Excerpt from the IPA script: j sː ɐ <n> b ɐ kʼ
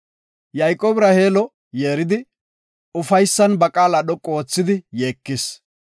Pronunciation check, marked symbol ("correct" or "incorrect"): correct